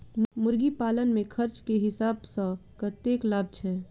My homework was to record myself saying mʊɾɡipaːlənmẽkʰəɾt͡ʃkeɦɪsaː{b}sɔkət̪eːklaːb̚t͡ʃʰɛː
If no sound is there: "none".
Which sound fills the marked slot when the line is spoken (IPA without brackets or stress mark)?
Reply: b